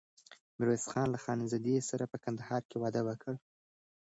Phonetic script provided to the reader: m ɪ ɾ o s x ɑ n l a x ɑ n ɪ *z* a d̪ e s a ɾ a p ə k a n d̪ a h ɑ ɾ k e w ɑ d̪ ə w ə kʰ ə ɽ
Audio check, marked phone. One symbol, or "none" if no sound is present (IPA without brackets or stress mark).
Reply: z